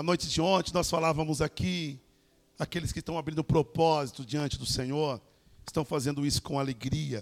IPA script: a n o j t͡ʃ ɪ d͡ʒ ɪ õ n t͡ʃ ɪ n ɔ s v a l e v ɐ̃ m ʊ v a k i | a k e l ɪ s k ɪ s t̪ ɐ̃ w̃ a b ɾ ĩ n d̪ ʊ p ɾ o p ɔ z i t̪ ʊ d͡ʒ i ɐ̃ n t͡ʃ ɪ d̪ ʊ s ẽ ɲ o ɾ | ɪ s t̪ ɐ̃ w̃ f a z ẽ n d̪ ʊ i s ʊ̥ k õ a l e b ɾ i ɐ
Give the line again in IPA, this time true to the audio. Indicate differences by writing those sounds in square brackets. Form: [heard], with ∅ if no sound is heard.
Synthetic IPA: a n o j t͡ʃ ɪ d͡ʒ ɪ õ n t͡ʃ ɪ n ɔ s [f] a l [a] v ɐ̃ m ʊ [z] a k i | a k e l ɪ s k ɪ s t̪ ɐ̃ w̃ a b ɾ ĩ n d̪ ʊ p ɾ o p ɔ z i t̪ ʊ d͡ʒ i ɐ̃ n t͡ʃ ɪ d̪ ʊ s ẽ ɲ o ɾ | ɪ s t̪ ɐ̃ w̃ f a z ẽ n d̪ ʊ i s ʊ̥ k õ a l e [ɡ] ɾ i ɐ